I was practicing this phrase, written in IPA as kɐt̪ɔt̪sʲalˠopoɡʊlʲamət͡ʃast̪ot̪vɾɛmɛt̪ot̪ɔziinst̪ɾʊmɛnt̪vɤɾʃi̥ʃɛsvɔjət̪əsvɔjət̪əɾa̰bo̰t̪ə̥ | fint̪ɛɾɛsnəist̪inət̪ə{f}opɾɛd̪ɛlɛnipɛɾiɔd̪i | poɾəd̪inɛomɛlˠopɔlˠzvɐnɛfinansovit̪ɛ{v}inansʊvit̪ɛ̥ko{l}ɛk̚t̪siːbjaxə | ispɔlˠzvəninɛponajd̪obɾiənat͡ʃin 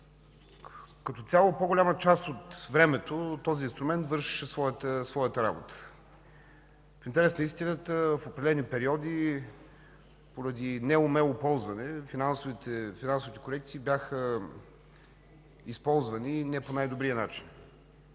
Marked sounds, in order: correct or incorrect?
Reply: correct, incorrect, incorrect

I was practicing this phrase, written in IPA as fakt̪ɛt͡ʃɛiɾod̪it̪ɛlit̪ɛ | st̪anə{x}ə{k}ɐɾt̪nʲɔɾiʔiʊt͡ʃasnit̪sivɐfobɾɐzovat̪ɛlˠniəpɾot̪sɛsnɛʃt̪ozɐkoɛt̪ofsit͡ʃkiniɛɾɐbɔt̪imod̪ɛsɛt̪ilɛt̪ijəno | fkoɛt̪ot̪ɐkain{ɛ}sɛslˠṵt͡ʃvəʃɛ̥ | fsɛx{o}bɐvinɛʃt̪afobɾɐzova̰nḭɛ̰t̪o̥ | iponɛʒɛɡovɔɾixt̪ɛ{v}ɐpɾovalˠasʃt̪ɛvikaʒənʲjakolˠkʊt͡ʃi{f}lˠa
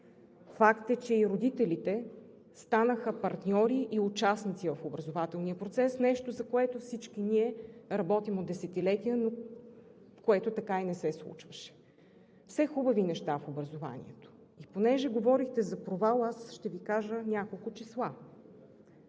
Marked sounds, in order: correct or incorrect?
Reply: correct, incorrect, correct, incorrect, incorrect, incorrect

